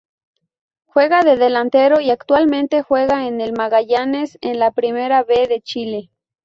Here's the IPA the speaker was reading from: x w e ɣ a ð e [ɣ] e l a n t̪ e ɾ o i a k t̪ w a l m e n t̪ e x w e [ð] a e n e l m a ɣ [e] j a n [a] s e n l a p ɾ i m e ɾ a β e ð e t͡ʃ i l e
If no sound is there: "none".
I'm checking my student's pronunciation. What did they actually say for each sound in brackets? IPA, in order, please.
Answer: ð, ɣ, a, e

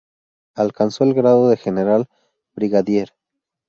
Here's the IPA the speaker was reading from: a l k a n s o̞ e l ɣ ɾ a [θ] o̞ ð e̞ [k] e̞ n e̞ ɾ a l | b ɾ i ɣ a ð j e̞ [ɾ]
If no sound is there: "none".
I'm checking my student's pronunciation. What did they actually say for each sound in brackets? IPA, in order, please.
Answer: ð, x, ɾ

